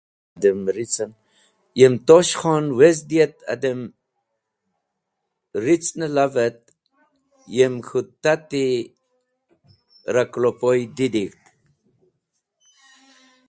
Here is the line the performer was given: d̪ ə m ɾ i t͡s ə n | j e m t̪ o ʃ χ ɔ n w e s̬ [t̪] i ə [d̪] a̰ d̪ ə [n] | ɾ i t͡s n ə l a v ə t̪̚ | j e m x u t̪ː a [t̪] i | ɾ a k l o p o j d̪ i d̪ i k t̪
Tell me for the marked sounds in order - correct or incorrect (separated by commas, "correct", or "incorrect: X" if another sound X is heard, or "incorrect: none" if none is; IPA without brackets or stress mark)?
incorrect: d̪, incorrect: t̪, incorrect: m, correct